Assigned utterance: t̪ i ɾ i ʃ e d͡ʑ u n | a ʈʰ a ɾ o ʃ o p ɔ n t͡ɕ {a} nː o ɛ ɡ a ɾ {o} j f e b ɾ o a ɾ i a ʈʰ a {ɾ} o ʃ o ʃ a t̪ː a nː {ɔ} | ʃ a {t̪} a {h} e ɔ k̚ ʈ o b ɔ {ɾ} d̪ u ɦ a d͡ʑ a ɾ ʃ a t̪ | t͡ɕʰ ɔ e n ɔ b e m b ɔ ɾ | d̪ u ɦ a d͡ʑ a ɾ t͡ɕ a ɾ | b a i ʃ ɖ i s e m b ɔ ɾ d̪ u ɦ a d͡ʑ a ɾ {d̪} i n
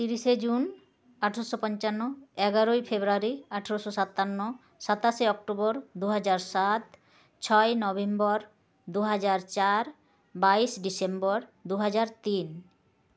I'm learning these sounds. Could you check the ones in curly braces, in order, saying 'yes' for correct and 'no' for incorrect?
yes, yes, yes, no, yes, no, yes, no

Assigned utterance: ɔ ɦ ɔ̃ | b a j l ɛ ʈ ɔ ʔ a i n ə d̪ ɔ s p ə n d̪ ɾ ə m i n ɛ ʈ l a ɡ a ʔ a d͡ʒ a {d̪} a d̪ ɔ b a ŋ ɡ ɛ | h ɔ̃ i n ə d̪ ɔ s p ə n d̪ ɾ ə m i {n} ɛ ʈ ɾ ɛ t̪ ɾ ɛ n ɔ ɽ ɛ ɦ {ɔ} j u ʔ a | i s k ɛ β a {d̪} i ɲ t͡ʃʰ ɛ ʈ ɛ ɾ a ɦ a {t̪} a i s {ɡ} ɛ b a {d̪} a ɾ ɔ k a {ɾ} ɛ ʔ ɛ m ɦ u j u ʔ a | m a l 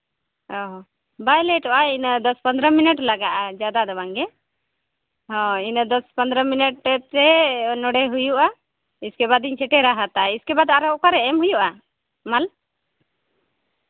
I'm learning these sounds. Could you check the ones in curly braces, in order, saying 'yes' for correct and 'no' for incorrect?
yes, yes, no, yes, yes, no, yes, yes

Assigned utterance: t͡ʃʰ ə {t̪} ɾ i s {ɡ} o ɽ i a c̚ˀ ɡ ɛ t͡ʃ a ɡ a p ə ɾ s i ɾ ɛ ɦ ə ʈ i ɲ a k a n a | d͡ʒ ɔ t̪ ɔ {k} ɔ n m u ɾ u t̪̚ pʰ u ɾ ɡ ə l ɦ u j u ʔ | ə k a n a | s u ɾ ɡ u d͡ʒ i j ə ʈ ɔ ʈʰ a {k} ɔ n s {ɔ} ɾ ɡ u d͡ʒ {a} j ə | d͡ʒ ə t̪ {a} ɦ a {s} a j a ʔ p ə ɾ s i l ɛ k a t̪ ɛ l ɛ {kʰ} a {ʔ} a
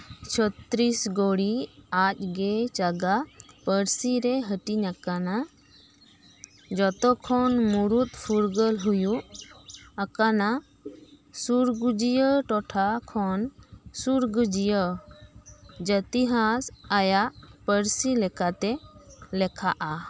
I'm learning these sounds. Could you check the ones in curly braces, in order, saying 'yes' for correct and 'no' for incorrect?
yes, yes, no, no, no, no, no, yes, yes, yes

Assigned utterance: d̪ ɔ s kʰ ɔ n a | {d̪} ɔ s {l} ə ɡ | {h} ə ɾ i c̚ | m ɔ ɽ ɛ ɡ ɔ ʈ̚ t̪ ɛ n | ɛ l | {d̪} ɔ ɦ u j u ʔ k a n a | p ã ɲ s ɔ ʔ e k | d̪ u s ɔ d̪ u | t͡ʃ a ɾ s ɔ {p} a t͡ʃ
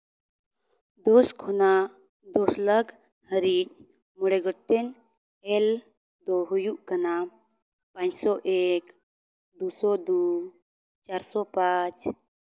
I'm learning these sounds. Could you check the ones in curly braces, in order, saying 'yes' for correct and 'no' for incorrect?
yes, yes, yes, yes, yes

